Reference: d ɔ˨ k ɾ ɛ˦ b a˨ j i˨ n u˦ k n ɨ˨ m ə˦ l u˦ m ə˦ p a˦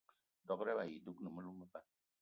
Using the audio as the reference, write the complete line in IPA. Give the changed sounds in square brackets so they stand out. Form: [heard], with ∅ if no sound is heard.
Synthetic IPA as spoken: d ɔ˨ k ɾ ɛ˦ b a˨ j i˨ [d] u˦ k n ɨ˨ m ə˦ l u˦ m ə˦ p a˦